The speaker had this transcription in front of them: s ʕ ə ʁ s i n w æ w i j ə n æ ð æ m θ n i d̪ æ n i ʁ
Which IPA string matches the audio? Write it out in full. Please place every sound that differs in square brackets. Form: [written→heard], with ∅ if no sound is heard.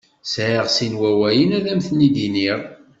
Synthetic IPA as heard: s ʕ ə ʁ s i n w æ w [i→æ] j ə n æ ð æ m θ n i d̪ [æ→i] n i ʁ